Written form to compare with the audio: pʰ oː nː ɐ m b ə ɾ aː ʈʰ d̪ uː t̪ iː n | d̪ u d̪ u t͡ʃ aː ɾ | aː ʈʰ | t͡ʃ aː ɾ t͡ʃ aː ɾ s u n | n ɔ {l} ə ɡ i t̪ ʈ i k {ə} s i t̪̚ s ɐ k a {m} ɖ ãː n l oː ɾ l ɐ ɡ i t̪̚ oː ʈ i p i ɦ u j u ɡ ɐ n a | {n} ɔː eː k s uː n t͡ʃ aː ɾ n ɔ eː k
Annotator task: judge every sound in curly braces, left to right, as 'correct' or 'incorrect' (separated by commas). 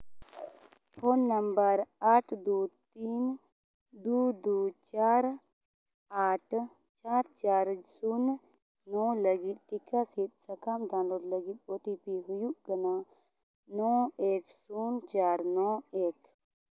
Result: correct, incorrect, correct, correct